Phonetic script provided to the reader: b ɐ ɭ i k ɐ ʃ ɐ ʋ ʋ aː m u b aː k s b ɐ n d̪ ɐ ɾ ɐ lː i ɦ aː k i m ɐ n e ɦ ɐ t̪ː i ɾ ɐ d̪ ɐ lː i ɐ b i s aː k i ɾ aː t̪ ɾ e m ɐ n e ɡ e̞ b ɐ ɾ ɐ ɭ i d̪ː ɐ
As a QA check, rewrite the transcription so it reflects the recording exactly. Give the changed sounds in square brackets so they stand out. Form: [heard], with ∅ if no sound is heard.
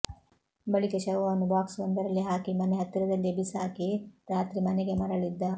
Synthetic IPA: b ɐ ɭ i k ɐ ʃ ɐ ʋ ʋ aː [n] u b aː k s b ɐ n d̪ ɐ ɾ ɐ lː i ɦ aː k i m ɐ n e ɦ ɐ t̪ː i ɾ ɐ d̪ ɐ lː i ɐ b i s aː k i ɾ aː t̪ ɾ [i] m ɐ n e ɡ e̞ [m] ɐ ɾ ɐ ɭ i d̪ː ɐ